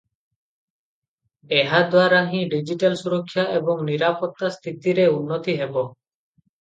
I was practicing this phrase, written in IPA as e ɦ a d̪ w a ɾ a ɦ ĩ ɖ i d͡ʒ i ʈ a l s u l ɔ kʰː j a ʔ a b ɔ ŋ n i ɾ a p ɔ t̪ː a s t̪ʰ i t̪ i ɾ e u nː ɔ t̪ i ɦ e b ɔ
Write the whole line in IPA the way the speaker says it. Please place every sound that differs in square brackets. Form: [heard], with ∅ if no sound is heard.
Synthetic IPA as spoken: e ɦ a d̪ w a ɾ a ɦ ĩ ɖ i d͡ʒ i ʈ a l s u [ɾ] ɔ kʰː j a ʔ [e] b ɔ ŋ n i ɾ a p ɔ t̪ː a s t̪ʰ i t̪ i ɾ e u nː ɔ t̪ i ɦ e b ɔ